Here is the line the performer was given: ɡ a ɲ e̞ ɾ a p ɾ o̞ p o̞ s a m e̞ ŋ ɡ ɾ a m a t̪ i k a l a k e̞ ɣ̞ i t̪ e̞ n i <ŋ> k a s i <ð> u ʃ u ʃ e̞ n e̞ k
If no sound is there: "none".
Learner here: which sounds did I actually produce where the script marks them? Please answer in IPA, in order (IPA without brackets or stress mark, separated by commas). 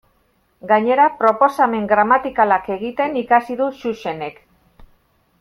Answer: none, ð